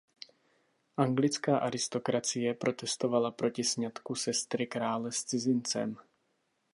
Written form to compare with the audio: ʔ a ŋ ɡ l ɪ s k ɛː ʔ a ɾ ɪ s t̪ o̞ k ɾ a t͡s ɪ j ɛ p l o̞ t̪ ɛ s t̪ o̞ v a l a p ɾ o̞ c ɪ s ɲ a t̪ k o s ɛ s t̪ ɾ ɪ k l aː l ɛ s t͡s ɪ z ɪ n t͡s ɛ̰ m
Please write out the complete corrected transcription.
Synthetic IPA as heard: ʔ a ŋ ɡ l ɪ t͡s k aː ʔ a ɾ ɪ s t̪ o̞ k ɾ a t͡s ɪ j ɛ p ɾ o̞ t̪ ɛ s t̪ o̞ v a l a p ɾ o̞ c ɪ s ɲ a t̪ k u s ɛ s t̪ ɾ ɪ k ɾ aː l ɛ s t͡s ɪ z ɪ n t͡s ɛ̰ m